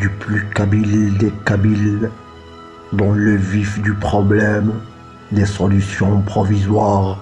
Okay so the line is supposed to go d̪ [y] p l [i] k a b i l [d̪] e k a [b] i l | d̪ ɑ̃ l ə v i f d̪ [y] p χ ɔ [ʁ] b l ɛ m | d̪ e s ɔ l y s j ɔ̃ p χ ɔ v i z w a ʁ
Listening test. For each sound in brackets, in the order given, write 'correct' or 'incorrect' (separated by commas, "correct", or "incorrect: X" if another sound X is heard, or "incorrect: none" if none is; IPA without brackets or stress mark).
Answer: correct, incorrect: y, correct, correct, correct, incorrect: none